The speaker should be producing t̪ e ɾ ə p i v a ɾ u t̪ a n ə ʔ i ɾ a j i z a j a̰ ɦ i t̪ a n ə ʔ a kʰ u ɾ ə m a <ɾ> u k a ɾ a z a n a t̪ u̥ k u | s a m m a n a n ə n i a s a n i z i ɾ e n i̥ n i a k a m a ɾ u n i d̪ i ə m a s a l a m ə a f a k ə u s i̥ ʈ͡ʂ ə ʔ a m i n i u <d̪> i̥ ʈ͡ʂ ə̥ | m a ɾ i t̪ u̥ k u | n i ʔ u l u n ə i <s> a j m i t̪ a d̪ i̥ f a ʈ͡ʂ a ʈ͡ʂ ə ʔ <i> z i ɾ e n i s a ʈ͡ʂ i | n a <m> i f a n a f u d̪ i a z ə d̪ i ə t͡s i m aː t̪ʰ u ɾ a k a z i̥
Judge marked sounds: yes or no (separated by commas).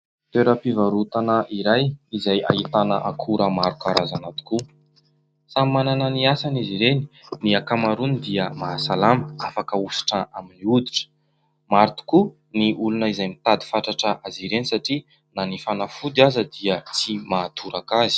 yes, yes, no, no, no